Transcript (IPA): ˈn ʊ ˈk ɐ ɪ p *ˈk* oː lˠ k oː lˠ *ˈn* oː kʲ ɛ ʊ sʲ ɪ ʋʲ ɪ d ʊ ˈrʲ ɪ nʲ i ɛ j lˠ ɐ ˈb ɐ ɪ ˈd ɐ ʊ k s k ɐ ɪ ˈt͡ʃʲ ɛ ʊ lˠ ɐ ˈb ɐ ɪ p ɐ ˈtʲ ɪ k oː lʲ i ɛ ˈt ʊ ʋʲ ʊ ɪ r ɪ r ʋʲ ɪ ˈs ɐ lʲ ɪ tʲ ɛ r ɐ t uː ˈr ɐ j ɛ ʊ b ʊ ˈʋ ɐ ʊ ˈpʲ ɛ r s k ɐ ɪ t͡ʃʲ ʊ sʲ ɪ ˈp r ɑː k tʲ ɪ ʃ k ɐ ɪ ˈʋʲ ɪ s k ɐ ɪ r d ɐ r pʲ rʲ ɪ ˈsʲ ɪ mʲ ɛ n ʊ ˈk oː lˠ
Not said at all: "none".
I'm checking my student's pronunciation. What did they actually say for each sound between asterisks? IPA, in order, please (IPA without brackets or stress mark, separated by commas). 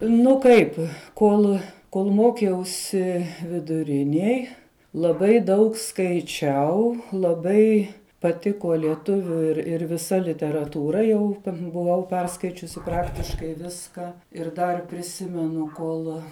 k, m